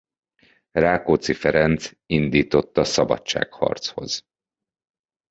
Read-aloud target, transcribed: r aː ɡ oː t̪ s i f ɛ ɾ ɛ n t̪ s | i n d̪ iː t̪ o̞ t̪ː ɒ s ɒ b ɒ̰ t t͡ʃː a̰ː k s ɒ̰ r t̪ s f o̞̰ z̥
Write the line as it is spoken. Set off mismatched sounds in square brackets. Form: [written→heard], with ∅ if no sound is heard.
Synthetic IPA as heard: r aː [ɡ→k] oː t̪ s i f ɛ ɾ ɛ n t̪ s | i n d̪ iː t̪ o̞ t̪ː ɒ s ɒ b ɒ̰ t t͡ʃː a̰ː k [s→h] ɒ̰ r t̪ s [f→h] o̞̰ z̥